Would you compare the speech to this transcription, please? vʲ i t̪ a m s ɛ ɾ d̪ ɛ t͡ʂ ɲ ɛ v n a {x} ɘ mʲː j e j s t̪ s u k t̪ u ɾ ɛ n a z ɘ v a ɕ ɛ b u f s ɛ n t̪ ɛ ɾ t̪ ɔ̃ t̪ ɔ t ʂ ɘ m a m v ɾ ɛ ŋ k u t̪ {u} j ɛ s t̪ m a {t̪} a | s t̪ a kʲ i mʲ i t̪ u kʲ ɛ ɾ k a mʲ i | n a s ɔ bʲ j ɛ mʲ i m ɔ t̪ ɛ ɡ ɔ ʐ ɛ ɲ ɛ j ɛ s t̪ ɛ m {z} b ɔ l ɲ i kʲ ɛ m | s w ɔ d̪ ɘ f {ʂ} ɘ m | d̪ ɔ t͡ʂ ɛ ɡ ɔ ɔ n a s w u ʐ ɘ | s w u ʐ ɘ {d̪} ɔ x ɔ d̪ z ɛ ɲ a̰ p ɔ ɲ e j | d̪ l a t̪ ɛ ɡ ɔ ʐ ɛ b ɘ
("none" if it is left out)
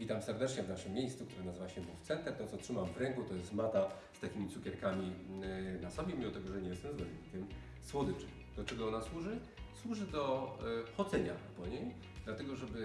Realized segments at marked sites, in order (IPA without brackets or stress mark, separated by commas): ʂ, ɔ, t̪, z, t͡ʂ, d̪